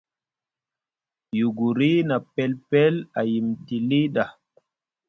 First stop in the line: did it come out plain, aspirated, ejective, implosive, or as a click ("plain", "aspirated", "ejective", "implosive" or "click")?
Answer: plain